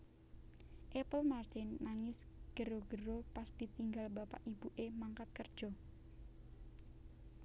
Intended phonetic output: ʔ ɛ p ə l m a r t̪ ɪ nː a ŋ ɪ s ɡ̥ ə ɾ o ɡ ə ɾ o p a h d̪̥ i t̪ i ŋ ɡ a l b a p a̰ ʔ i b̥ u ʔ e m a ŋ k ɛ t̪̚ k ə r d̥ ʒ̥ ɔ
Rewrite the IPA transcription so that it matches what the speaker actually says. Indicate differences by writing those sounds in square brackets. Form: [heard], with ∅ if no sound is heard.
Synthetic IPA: ʔ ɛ p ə l m a r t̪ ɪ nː a ŋ ɪ s ɡ̥ ə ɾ o ɡ ə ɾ o p a [s] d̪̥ i t̪ i ŋ ɡ a l b a p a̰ ʔ i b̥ u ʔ e m a ŋ k [a] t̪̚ k ə r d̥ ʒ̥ ɔ

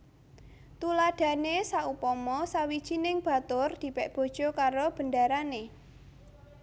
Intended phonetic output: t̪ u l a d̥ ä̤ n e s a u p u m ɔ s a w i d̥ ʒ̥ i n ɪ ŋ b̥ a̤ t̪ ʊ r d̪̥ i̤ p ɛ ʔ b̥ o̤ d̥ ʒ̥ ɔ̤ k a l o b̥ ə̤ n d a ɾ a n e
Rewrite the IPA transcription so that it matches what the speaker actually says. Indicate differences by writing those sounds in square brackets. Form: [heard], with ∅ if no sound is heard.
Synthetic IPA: t̪ u l a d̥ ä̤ n e s a u p [ɔ] m ɔ s a w i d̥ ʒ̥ i n ɪ ŋ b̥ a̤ t̪ ʊ r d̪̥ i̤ p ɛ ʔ b̥ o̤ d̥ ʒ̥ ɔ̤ k a [ɾ] o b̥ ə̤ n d a ɾ a n e

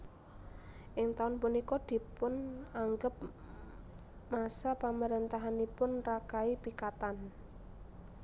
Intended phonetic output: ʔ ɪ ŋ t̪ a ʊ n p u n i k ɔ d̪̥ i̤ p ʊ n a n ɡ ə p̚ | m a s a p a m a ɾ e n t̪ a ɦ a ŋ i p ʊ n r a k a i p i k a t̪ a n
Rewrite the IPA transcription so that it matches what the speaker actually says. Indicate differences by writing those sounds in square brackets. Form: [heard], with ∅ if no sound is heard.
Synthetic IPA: ʔ ɪ ŋ t̪ a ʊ n p u n i k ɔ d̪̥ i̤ p ʊ n a [ŋ] ɡ ə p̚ | m a s a p a m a ɾ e n t̪ a ɦ a [n] i p ʊ n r a k a i p i k a t̪ a n

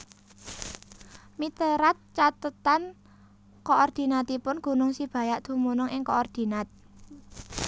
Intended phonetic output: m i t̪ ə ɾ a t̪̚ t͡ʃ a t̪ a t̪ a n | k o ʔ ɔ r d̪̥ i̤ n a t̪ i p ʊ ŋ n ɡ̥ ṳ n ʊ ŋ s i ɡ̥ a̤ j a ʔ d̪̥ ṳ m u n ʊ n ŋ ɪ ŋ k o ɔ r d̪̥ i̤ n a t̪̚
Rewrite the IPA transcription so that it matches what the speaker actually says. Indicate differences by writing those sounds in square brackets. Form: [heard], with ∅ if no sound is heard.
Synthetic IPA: m i t̪ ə ɾ a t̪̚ t͡ʃ a t̪ [ə] t̪ a n | k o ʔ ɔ r d̪̥ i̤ n a t̪ i p ʊ [∅] n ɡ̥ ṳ n ʊ ŋ s i [b̥] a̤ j a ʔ d̪̥ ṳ m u n ʊ [∅] ŋ ɪ ŋ k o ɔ r d̪̥ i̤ n a t̪̚

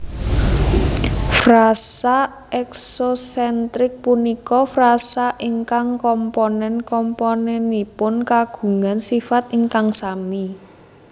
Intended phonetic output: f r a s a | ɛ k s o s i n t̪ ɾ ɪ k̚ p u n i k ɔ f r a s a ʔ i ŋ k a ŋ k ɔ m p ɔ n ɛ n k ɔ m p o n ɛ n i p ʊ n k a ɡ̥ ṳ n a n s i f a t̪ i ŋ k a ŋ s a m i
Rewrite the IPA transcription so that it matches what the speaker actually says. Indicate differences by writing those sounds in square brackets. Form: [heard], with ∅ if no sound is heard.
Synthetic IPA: f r a s a | ɛ k s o s [ɛ] n t̪ ɾ ɪ k̚ p u n i k ɔ f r a s a ʔ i ŋ k a ŋ k ɔ m p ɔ n ɛ n k ɔ m p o n ɛ n i p ʊ n k a ɡ̥ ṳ [ŋ] a n s i f a t̪ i ŋ k a ŋ s a m i

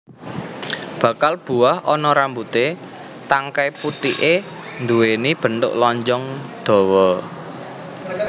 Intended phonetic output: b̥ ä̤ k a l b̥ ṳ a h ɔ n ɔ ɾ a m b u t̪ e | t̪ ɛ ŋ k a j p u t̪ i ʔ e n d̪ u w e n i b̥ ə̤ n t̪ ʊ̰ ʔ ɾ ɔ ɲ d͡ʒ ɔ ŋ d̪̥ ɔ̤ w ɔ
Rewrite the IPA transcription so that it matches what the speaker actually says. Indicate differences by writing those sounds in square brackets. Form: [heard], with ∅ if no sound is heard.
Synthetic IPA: b̥ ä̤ k a l b̥ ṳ a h ɔ n ɔ ɾ a m b u t̪ e | t̪ [a] ŋ k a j p u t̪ i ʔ e n d̪ u w e n i b̥ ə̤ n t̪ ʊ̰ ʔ [l] ɔ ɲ d͡ʒ ɔ ŋ d̪̥ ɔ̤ w ɔ

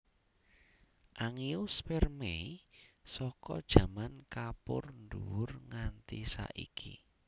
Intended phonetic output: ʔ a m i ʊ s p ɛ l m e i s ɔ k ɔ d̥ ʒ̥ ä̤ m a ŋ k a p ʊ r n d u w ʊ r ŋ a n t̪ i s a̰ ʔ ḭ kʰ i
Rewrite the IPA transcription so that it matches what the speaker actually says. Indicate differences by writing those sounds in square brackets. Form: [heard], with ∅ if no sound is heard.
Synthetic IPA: ʔ a [ŋ] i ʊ s p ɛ [r] m e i s ɔ k ɔ d̥ ʒ̥ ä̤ m a [n] k a p ʊ r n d u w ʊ r ŋ a n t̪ i s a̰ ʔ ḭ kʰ i

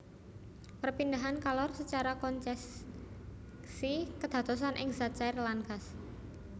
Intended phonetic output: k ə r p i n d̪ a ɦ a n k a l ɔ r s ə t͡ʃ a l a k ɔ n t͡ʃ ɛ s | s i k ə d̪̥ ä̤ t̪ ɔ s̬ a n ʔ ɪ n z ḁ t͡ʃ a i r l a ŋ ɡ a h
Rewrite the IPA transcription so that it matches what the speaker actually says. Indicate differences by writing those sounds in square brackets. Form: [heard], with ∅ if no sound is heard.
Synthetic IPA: [p] ə r p i n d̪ a ɦ a n k a l ɔ r s ə t͡ʃ a [ɾ] a k ɔ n t͡ʃ ɛ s | s i k ə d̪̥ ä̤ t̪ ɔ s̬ a n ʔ ɪ [ŋ] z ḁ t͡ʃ a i r l a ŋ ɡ a [s]

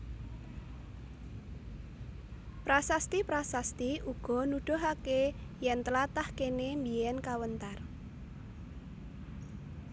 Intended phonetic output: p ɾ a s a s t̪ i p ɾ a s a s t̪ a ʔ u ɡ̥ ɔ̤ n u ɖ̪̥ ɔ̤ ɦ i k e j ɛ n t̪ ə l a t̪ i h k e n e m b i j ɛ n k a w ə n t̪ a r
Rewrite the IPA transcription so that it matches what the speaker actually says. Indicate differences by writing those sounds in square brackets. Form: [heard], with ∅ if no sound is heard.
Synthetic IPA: p ɾ a s a s t̪ i p ɾ a s a s t̪ [i] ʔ u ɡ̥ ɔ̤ n u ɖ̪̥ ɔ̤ ɦ [a] k e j ɛ n t̪ ə l a t̪ [a] h k e n e m b i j ɛ n k a w ə n t̪ a r

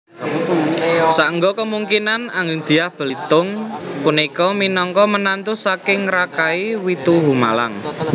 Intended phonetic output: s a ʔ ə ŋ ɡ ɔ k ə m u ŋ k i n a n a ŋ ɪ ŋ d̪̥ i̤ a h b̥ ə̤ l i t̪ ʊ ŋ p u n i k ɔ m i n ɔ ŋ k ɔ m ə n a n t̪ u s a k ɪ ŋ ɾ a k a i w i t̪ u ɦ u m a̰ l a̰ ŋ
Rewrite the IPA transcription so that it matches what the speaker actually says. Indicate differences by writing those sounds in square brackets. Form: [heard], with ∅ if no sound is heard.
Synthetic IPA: s a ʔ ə ŋ ɡ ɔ k ə m u ŋ k i n a n a ŋ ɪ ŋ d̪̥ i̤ a h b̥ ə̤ l i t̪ ʊ ŋ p u n i k ɔ m i n ɔ ŋ k ɔ m ə n a n t̪ u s a k ɪ ŋ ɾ a k a i w i t̪ u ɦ u m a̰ l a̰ ŋ

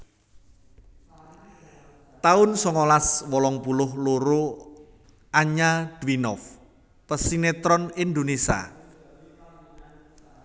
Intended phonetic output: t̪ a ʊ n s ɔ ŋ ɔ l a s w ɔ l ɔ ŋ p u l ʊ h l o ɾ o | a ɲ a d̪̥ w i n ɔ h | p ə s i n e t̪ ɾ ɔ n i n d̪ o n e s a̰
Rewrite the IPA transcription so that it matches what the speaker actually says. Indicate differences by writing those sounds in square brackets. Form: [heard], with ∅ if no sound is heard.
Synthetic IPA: t̪ a ʊ n s ɔ ŋ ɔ l a s w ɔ l ɔ ŋ p u l ʊ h l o ɾ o | a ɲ a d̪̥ w i n ɔ [f] | p ə s i n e t̪ ɾ ɔ n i n d̪ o n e s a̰

